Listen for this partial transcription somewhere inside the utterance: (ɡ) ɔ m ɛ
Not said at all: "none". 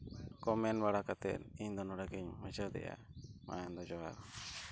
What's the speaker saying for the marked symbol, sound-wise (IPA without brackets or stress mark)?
k